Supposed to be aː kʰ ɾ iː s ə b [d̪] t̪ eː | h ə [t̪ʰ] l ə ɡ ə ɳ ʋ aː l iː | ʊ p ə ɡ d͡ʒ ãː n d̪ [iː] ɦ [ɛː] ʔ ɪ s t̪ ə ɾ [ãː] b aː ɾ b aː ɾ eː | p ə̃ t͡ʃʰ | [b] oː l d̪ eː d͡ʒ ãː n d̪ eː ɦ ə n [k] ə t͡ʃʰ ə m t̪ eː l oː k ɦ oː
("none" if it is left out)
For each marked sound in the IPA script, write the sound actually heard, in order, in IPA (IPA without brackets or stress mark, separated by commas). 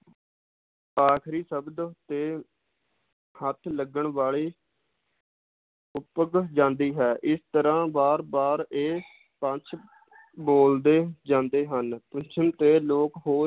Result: d̪, t̪ʰ, iː, ɛː, ãː, b, p